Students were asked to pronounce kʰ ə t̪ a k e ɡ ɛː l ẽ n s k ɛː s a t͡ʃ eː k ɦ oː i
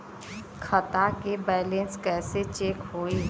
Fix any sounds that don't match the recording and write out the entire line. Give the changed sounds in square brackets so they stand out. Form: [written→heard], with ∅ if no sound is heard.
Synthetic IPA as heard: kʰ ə t̪ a k e [ɡ→b] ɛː l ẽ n s k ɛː s [a→e] t͡ʃ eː k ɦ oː i